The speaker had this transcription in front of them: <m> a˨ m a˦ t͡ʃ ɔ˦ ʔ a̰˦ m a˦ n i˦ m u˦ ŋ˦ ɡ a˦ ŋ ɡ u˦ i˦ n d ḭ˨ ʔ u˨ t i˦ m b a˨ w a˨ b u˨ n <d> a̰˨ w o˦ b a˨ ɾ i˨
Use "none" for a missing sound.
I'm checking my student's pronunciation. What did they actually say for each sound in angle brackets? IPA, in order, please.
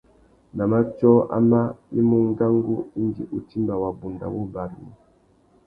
n, d

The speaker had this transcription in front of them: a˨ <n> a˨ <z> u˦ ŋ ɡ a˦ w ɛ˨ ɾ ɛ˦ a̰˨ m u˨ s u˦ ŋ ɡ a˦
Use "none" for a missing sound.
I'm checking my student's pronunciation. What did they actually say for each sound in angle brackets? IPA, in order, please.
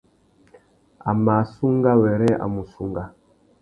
m, s

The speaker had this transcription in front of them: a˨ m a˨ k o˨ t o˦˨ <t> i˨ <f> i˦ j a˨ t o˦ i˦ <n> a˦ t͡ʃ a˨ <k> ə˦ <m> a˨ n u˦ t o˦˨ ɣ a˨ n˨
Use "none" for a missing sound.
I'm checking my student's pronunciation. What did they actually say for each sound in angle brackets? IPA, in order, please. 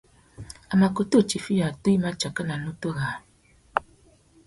t͡ʃ, f, m, k, n

